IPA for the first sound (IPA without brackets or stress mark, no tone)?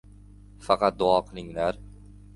f